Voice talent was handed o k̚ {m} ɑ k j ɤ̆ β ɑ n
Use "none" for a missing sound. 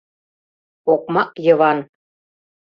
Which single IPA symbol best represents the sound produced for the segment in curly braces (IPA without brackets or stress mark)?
m